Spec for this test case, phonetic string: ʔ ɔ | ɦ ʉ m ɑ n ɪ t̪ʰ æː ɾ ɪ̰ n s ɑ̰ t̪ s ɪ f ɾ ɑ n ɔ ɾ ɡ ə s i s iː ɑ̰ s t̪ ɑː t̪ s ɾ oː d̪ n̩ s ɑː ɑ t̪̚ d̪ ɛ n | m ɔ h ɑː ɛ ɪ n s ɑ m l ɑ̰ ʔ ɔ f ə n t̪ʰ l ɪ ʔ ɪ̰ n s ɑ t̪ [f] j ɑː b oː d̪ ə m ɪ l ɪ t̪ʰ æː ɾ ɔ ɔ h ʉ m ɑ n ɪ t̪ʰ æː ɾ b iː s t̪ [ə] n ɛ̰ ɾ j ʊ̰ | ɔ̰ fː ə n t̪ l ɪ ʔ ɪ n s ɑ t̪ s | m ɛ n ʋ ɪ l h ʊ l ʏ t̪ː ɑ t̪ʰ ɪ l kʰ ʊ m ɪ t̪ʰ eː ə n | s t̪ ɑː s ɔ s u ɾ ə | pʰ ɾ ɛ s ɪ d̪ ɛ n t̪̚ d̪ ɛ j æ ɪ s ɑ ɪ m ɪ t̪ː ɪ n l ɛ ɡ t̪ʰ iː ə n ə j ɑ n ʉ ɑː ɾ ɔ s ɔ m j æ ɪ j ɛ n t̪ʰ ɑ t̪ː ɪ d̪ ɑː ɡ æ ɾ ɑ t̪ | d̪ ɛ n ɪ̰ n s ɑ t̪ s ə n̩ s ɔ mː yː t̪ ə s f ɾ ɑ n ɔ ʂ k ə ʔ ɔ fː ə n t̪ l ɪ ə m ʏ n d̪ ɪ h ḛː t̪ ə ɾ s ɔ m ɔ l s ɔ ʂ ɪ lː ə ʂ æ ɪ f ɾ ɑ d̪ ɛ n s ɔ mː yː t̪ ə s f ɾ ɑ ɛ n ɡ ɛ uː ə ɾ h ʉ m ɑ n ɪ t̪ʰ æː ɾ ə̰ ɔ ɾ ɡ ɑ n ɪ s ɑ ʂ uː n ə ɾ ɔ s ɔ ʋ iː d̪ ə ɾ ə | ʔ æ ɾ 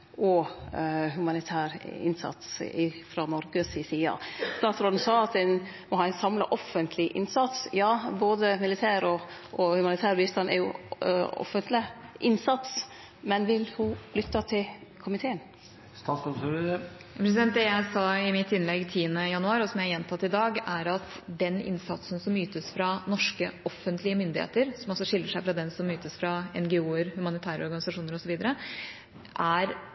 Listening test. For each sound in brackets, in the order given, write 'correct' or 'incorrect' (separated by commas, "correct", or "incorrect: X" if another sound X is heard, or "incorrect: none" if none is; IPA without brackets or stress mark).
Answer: incorrect: s, incorrect: ɑ